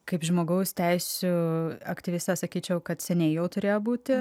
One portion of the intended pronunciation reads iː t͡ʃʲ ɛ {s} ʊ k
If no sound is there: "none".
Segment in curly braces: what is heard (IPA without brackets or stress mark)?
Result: none